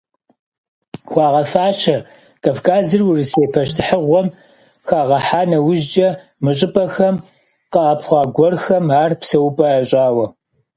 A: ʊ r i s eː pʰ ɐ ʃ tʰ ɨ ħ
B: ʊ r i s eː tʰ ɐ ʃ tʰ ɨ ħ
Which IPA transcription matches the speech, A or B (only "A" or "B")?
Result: A